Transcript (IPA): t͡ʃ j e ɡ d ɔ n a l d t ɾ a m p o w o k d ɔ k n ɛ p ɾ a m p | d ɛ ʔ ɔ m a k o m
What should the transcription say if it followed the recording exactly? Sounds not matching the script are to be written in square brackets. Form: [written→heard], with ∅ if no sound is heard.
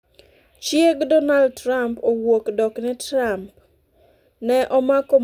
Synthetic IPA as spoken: t͡ʃ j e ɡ d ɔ n a l d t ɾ a m p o w o k d ɔ k n ɛ [p→t] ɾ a m p | [d→n] ɛ ʔ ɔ m a k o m